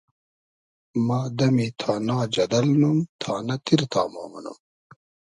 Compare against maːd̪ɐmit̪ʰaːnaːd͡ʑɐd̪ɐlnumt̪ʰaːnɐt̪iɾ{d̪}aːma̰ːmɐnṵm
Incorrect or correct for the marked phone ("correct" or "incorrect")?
incorrect